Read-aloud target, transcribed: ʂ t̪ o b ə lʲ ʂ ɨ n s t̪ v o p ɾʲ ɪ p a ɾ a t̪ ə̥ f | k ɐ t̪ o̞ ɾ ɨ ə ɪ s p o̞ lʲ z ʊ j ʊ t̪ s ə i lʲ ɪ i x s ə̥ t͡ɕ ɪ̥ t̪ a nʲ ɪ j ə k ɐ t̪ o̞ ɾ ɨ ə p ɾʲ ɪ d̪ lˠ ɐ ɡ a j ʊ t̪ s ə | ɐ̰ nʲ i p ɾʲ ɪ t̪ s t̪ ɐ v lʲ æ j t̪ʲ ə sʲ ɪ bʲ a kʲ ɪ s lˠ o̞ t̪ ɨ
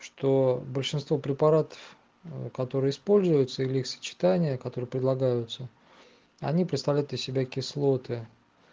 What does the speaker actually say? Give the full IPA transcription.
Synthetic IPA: ʂ t̪ o b ə lʲ ʂ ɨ n s t̪ v o p ɾʲ ɪ p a ɾ a t̪ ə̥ f | k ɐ t̪ o̞ ɾ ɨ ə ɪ s p o̞ lʲ z ʊ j ʊ t̪ s ə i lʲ ɪ i x s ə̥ t͡ɕ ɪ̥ t̪ a nʲ ɪ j ə k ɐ t̪ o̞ ɾ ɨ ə p ɾʲ ɪ d̪ lˠ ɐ ɡ a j ʊ t̪ s ə | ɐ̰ nʲ i p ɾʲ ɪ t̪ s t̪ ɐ v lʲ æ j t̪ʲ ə sʲ ɪ bʲ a kʲ ɪ s lˠ o̞ t̪ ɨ

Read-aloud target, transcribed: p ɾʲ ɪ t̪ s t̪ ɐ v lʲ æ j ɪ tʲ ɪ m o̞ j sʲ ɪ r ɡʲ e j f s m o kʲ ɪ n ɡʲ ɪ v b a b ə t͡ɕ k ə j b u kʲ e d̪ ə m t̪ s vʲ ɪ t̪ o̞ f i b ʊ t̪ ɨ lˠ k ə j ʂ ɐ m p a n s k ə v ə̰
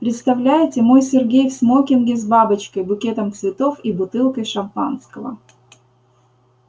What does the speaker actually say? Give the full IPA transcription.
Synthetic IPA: p ɾʲ ɪ t̪ s t̪ ɐ v lʲ æ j ɪ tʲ ɪ m o̞ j sʲ ɪ r ɡʲ e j f s m o kʲ ɪ n ɡʲ ɪ z b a b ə t͡ɕ k ə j b ʊ kʲ e t̪ ə m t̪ s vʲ ɪ t̪ o̞ f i b ʊ t̪ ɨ lˠ k ə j ʂ ɐ m p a n s k ə v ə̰

